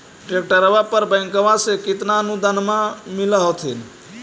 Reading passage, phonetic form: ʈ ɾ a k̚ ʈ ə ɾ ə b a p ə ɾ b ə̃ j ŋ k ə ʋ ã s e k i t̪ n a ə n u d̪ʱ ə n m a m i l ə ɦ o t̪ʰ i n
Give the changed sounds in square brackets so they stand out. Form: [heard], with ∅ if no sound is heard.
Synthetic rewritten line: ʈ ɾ [e] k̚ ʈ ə ɾ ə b a p ə ɾ b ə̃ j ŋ k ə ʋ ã s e k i t̪ n a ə n u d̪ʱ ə n m a m i l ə ɦ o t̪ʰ i n